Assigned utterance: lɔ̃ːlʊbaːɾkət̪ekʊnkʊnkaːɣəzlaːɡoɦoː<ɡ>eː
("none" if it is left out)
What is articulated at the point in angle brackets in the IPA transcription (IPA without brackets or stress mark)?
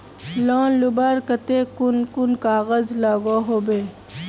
b